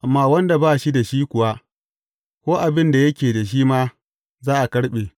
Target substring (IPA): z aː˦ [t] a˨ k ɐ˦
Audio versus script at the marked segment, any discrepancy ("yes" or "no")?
yes